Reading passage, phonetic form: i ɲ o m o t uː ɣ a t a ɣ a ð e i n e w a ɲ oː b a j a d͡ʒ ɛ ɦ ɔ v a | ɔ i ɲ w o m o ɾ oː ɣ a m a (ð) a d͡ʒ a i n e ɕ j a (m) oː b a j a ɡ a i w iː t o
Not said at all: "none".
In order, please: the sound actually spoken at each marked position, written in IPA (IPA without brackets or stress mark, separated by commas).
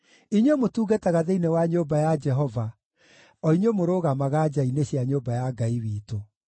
ɣ, ɲ